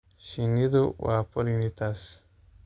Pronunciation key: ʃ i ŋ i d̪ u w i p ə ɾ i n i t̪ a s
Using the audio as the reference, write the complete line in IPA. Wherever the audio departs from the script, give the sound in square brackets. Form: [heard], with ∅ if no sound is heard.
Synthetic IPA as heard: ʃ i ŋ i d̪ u w [a] p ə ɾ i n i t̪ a s